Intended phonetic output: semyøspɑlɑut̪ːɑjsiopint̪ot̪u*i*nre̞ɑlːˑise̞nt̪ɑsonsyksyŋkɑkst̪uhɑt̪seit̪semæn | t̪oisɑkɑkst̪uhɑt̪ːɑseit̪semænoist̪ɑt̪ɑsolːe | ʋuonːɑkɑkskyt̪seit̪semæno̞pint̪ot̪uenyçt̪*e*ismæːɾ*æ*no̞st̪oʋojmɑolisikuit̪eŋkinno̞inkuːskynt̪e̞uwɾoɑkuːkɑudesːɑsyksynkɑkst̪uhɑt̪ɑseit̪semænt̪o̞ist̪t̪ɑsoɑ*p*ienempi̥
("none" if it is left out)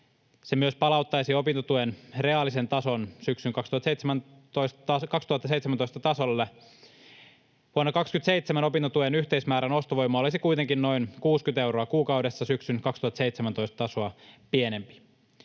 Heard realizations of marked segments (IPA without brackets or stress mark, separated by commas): e, e, æ, p